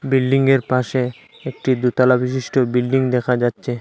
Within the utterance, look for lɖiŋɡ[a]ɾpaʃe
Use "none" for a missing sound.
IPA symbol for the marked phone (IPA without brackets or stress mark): e